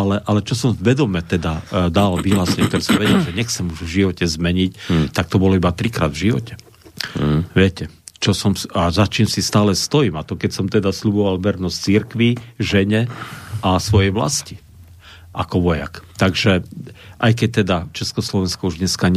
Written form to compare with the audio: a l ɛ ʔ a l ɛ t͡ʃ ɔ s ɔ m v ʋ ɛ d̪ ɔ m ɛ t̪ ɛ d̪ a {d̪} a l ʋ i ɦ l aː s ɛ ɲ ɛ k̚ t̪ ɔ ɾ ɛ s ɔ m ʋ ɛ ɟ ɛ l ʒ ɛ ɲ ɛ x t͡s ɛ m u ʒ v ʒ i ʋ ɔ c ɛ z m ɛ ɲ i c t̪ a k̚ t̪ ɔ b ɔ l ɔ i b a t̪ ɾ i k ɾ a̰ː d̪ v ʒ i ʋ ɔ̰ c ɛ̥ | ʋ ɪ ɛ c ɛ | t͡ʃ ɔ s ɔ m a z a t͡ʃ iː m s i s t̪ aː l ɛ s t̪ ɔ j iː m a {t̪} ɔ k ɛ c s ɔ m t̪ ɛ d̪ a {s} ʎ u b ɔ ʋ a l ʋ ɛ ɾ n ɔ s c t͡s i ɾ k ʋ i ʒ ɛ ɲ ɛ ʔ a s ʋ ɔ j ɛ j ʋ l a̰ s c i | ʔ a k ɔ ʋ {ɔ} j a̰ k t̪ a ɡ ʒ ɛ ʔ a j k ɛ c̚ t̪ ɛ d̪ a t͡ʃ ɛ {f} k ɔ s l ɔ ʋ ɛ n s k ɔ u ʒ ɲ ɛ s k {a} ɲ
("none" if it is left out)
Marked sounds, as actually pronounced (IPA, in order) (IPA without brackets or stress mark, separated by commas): d̪, t̪, s, ɔ, s, a